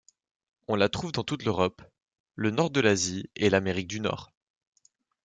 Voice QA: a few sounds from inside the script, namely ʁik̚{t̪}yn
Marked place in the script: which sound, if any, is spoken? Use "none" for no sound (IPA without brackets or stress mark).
d̪